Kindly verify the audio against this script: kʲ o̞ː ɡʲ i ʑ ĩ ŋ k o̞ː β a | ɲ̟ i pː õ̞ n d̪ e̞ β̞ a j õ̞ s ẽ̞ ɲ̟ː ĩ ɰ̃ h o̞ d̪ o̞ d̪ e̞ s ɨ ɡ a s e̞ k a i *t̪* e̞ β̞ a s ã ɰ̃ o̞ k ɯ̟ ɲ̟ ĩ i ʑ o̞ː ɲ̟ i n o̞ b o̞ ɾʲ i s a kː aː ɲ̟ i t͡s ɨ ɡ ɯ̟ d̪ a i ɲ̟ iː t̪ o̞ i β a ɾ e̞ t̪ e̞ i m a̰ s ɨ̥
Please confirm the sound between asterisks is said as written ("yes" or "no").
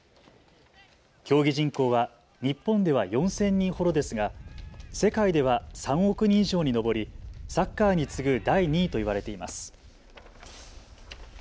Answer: no